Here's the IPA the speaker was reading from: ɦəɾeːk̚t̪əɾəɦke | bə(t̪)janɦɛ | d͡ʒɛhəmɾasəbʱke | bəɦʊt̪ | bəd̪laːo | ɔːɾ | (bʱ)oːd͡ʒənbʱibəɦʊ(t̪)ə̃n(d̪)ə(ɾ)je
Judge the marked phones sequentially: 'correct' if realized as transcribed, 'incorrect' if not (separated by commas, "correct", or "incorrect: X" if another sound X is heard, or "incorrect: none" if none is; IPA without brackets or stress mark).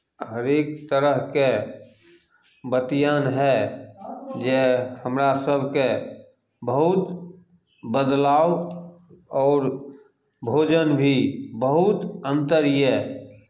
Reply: correct, correct, correct, incorrect: t̪, correct